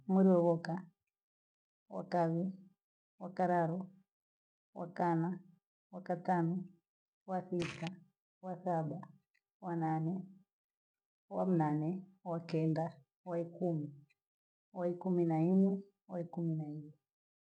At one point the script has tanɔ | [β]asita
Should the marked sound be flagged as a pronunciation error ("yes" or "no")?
yes